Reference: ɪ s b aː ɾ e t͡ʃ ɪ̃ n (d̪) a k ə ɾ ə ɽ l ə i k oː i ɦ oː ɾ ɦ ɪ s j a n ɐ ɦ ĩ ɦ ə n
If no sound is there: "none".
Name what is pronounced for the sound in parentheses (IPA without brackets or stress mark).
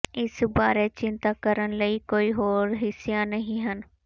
t̪